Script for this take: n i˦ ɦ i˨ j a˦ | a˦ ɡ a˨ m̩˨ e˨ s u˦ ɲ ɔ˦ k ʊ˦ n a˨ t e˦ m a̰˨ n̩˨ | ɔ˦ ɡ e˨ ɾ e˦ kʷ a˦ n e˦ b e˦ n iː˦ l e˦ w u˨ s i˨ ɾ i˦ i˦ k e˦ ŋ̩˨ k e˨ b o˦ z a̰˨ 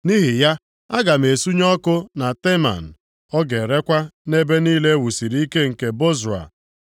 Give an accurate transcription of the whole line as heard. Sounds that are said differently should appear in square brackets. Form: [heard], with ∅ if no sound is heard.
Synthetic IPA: n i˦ ɦ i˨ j a˦ | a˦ ɡ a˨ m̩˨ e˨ s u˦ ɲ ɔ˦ k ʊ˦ n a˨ t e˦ m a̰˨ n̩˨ | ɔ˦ ɡ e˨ ɾ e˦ kʷ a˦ n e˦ b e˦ n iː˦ l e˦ w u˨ s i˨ ɾ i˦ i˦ k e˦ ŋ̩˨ k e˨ b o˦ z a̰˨